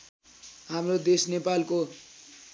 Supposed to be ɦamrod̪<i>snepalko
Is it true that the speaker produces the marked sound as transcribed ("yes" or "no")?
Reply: no